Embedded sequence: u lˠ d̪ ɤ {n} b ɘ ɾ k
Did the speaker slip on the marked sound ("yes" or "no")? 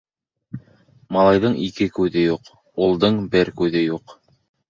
yes